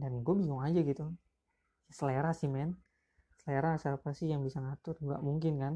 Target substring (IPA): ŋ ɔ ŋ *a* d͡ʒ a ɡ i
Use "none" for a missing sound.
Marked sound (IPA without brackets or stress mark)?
a